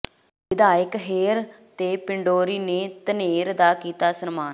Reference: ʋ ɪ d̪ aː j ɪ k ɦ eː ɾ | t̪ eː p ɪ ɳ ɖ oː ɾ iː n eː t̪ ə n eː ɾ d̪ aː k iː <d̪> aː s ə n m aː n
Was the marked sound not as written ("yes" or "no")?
yes